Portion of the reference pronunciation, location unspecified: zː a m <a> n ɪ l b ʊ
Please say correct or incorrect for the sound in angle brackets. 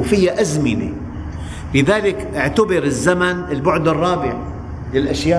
correct